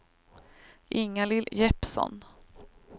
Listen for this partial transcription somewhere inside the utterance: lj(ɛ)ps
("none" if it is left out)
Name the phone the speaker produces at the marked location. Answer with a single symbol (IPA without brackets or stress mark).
ɛ